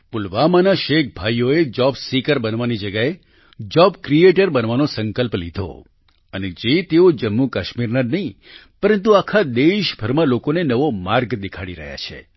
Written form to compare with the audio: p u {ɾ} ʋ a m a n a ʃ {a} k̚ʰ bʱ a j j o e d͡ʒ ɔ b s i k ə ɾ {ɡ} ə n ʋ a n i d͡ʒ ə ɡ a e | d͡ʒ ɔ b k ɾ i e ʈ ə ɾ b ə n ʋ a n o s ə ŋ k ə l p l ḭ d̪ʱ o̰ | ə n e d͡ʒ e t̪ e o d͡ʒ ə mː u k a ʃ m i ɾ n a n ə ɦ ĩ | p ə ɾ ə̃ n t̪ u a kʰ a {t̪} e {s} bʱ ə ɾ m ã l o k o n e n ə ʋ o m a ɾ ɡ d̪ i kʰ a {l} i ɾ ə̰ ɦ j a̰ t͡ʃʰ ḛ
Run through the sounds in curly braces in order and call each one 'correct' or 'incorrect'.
incorrect: l, incorrect: e, incorrect: b, incorrect: d̪, incorrect: ʃ, incorrect: ɽ

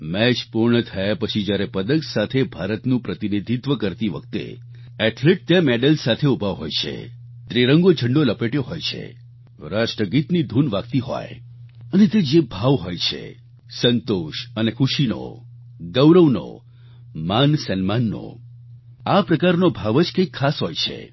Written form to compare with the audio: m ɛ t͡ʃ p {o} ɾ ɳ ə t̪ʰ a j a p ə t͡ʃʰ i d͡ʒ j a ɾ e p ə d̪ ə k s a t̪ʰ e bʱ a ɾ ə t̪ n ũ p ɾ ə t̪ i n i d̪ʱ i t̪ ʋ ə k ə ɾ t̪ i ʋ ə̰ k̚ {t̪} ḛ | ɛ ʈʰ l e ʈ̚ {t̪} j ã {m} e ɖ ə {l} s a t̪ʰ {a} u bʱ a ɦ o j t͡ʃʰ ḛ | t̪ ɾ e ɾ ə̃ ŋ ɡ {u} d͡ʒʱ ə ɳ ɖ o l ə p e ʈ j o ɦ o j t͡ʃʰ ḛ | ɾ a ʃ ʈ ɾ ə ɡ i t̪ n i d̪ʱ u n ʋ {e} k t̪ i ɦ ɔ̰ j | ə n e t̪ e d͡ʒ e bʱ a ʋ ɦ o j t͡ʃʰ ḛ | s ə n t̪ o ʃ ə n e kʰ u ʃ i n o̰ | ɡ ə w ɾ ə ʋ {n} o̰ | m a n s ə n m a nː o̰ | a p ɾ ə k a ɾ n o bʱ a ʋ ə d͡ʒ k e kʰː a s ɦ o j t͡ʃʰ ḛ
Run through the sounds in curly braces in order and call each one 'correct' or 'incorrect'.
incorrect: u, correct, correct, correct, correct, incorrect: e, incorrect: o, incorrect: a, correct

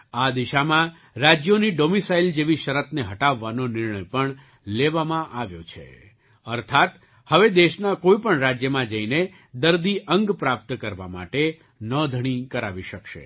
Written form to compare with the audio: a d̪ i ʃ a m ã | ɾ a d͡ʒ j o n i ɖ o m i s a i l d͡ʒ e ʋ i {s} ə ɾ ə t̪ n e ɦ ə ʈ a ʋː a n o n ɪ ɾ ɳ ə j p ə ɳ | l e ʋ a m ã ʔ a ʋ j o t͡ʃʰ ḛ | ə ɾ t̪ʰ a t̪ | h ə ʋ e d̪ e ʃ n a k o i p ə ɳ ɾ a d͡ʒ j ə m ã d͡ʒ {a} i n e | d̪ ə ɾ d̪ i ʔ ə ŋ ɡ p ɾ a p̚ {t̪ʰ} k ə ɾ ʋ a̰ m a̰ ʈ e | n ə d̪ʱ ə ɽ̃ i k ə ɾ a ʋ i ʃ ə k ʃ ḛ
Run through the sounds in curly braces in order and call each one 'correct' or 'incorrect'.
incorrect: ʃ, incorrect: ə, incorrect: t̪

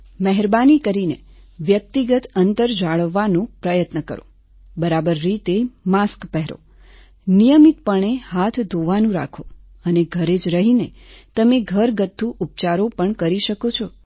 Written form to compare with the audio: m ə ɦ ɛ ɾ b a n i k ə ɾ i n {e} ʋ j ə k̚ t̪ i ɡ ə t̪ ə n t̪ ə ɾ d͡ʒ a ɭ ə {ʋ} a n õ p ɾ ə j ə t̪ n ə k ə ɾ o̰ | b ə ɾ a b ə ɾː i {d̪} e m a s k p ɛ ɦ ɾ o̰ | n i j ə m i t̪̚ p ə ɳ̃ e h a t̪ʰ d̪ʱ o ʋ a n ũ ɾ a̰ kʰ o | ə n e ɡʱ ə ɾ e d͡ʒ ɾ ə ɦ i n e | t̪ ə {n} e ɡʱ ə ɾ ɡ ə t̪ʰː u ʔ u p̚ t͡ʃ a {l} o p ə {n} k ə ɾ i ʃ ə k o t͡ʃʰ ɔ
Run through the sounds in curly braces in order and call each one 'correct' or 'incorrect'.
correct, incorrect: ʋː, incorrect: t̪, incorrect: m, incorrect: ɾ, incorrect: ɳ

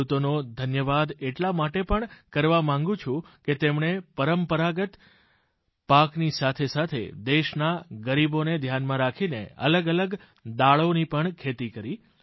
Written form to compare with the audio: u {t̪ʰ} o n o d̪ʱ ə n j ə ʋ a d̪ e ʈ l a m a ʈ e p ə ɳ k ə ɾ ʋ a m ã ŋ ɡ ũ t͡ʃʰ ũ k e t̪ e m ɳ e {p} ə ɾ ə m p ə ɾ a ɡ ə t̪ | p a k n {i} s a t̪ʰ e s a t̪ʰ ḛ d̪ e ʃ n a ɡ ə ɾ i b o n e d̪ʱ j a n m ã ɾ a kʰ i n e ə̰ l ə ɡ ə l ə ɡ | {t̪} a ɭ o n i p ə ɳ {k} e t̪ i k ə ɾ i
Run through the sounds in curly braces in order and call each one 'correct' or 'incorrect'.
incorrect: t̪, correct, correct, incorrect: d̪, incorrect: kʰ

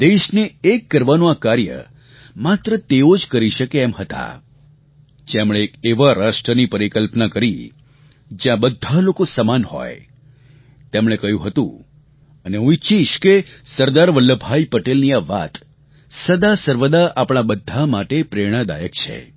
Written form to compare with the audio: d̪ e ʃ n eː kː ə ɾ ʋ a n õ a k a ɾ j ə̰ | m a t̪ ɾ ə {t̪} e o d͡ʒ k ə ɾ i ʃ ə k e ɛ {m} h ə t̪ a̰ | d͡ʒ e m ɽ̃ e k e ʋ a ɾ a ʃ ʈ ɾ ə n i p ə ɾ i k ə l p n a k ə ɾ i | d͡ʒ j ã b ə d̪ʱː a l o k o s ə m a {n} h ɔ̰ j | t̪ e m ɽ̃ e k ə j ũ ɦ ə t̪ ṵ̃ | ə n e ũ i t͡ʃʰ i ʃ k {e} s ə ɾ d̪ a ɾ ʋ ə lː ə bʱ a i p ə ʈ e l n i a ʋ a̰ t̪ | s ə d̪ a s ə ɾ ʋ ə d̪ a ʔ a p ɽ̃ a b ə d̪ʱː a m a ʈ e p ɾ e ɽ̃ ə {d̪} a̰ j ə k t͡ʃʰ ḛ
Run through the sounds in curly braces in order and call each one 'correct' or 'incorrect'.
correct, correct, correct, correct, correct

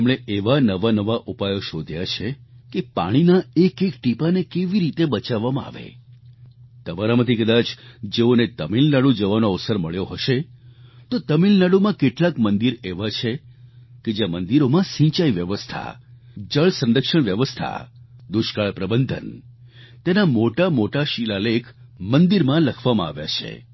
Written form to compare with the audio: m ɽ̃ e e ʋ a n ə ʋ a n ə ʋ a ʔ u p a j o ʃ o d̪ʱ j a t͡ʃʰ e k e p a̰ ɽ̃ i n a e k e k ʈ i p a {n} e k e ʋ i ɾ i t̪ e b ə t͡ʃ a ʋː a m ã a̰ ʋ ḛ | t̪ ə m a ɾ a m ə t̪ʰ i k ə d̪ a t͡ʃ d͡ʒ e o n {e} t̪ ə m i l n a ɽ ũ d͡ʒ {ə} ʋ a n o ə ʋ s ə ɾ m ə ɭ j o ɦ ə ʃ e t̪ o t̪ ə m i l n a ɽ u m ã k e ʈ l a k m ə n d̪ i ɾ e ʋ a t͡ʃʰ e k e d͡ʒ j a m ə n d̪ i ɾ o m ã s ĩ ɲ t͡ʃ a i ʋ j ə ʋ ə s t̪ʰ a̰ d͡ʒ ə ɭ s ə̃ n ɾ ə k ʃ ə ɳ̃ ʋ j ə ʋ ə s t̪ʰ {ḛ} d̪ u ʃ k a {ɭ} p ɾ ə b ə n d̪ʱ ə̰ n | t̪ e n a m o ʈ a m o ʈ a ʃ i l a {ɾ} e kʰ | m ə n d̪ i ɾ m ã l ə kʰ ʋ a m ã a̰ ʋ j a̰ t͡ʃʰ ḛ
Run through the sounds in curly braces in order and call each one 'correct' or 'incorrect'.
correct, correct, correct, incorrect: a̰, correct, incorrect: l

